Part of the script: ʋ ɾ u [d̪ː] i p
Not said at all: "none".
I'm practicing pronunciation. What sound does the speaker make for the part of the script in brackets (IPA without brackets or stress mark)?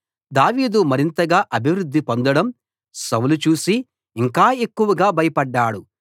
d̪ː